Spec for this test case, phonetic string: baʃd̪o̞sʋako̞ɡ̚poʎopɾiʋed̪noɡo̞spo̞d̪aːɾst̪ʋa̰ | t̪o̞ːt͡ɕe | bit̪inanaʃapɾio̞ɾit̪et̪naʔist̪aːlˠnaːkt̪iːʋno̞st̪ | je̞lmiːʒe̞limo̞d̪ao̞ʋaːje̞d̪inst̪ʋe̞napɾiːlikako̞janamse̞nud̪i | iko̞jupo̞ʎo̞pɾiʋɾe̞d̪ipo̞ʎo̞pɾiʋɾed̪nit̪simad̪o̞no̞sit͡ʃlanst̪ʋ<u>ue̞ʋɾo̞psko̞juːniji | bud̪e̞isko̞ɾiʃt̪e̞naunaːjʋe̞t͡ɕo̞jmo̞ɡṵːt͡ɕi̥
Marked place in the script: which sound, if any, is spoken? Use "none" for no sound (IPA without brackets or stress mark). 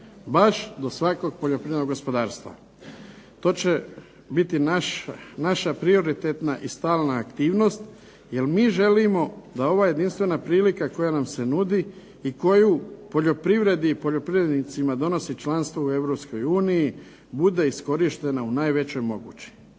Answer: o